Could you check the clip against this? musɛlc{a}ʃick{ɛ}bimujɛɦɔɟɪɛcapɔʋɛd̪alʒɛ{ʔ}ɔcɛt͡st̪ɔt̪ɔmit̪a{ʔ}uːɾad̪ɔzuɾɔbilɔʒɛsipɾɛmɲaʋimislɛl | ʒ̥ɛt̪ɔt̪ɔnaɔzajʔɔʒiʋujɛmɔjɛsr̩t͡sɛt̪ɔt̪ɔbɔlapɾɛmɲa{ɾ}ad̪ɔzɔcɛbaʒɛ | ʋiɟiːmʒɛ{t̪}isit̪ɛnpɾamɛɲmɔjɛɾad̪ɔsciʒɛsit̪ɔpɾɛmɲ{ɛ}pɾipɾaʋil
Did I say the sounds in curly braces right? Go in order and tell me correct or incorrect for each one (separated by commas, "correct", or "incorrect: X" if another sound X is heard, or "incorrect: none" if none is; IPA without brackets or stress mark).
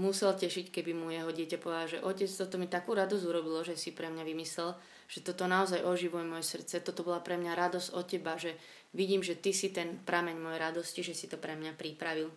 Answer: incorrect: ɛ, correct, correct, incorrect: k, correct, correct, incorrect: a